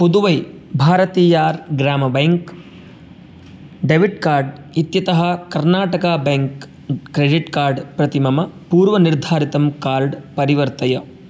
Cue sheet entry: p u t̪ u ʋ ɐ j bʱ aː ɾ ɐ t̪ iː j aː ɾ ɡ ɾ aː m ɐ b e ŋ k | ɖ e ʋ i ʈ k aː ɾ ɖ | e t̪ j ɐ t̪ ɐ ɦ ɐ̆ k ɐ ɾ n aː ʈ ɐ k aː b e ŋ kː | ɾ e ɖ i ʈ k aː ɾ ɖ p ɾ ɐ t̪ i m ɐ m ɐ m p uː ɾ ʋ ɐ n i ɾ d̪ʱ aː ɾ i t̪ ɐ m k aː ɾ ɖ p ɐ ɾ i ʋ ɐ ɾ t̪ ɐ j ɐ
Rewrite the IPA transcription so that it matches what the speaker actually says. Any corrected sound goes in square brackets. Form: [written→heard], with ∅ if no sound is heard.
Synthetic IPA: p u [t̪→d̪] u ʋ ɐ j bʱ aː ɾ ɐ t̪ iː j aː ɾ ɡ ɾ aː m ɐ b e ŋ k | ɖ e ʋ i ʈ k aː ɾ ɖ | [e→i] t̪ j ɐ t̪ ɐ ɦ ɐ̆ k ɐ ɾ n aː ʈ ɐ k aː b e ŋ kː | ɾ e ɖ i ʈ k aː ɾ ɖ p ɾ ɐ t̪ i m ɐ m ɐ [m→∅] p uː ɾ ʋ ɐ n i ɾ d̪ʱ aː ɾ i t̪ ɐ m k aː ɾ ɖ p ɐ ɾ i ʋ ɐ ɾ t̪ ɐ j ɐ